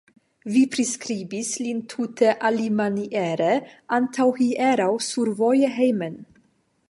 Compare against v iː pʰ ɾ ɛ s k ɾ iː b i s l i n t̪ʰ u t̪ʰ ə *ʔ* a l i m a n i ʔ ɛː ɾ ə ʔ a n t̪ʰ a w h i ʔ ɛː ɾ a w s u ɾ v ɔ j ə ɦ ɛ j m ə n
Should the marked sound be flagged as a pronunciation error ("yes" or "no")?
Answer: no